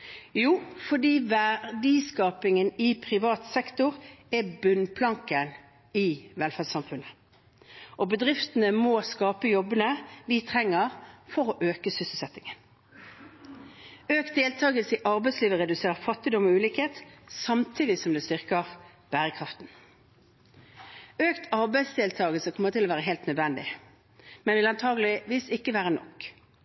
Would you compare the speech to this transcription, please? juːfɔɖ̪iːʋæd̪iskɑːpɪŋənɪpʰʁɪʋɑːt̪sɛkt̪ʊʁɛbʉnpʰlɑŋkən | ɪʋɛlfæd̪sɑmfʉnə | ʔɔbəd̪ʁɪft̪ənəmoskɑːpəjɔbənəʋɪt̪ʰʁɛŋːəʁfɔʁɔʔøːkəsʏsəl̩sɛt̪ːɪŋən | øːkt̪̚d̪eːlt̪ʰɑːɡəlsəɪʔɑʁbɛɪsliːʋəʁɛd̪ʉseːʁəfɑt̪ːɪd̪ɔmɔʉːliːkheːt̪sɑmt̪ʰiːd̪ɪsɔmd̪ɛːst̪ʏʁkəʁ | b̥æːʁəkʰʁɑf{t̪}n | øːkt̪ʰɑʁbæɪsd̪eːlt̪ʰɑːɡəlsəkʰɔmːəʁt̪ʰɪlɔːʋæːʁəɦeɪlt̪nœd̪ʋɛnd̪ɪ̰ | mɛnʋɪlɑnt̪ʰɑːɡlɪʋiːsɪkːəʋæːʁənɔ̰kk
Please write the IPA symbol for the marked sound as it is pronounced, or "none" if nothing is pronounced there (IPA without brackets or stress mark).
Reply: t̪